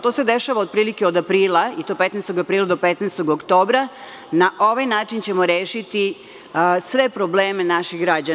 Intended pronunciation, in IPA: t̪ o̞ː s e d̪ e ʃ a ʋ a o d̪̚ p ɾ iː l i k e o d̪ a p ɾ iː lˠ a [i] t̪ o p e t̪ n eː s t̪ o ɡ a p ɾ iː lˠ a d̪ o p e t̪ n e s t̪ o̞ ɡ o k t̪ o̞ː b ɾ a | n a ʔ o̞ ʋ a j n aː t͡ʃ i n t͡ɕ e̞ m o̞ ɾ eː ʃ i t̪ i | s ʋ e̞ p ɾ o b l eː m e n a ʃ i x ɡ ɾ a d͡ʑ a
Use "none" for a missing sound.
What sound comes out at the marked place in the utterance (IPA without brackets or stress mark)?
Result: i